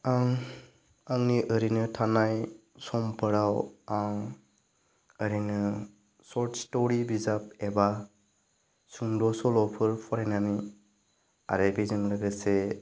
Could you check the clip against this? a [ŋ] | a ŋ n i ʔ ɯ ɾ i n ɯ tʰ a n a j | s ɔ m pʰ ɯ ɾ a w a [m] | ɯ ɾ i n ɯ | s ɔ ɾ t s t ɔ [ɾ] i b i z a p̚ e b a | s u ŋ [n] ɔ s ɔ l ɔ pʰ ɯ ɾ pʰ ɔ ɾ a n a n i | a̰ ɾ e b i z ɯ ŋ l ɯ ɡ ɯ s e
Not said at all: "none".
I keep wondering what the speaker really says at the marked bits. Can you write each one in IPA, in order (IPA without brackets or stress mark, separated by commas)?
ŋ, ŋ, ɾ, d